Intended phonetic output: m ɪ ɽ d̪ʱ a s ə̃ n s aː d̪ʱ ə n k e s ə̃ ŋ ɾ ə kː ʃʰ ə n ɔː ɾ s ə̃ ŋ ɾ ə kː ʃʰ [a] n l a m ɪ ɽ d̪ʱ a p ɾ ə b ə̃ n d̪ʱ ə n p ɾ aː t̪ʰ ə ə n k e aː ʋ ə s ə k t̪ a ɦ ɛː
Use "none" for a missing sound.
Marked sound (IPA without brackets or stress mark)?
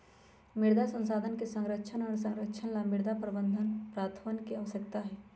ə